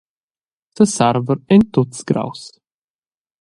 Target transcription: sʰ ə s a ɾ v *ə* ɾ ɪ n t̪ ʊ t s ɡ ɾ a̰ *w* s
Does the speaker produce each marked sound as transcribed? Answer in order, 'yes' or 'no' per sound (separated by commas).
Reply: yes, yes